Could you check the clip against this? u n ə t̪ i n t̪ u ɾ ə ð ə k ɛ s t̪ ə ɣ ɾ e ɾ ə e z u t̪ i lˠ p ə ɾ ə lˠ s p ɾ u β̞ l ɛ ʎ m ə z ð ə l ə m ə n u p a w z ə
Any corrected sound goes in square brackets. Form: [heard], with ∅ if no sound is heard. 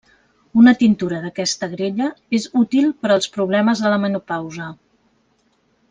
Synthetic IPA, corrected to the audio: u n ə t̪ i n t̪ u ɾ ə ð ə k ɛ s t̪ ə ɣ ɾ e [ʎ] ə e z u t̪ i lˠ p ə ɾ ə lˠ s p ɾ u β̞ l ɛ [∅] m ə z ð ə l ə m ə n u p a w z ə